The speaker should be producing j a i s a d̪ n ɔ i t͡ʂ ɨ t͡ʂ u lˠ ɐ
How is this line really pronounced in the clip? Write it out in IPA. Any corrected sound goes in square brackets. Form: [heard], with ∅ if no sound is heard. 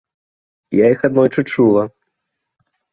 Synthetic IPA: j a i [x] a d̪ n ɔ [j] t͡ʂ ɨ t͡ʂ u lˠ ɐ